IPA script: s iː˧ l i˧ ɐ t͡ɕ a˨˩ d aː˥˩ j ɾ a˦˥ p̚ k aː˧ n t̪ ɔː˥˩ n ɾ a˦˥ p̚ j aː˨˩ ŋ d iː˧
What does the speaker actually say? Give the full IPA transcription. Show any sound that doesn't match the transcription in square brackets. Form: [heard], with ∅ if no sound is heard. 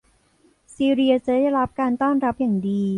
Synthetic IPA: s iː˧ [ɾ] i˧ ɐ t͡ɕ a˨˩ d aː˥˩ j ɾ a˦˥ p̚ k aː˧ n t̪ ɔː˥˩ n ɾ a˦˥ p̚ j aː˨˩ ŋ d iː˧